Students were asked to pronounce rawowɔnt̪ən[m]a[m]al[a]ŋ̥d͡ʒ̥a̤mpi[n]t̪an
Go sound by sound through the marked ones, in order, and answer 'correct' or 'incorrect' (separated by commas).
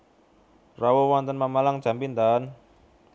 correct, correct, correct, correct